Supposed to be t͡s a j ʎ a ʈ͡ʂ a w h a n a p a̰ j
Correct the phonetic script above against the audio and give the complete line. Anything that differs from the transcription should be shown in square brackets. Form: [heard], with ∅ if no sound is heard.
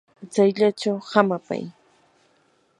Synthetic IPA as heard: t͡s a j ʎ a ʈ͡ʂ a w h a [m] a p a̰ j